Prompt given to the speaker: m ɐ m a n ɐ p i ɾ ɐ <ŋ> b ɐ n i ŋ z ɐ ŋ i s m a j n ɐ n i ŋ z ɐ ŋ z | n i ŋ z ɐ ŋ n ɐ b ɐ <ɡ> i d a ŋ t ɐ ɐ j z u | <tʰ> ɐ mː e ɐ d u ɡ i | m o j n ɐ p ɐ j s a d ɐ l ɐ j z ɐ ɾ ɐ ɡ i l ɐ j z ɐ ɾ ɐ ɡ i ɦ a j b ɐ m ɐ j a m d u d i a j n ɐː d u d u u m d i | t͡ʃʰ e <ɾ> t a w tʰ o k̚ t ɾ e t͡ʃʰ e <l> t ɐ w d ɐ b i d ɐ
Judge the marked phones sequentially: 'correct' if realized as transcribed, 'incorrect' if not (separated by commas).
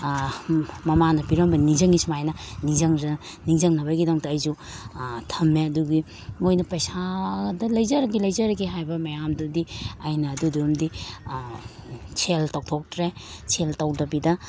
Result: incorrect, correct, correct, incorrect, correct